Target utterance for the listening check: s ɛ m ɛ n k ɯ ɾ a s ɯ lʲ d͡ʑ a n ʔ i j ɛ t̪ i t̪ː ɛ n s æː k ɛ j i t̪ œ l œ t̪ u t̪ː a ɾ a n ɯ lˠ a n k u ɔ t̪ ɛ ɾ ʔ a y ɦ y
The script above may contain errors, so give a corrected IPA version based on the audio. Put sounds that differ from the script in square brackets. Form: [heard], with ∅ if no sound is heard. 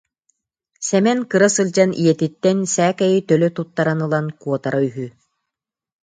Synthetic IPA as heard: s ɛ m ɛ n k ɯ ɾ a s ɯ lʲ d͡ʑ a n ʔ i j ɛ t̪ i t̪ː ɛ n s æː k ɛ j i t̪ œ l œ t̪ u t̪ː a ɾ a n ɯ lˠ a n k u ɔ t̪ [a] ɾ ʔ a y ɦ y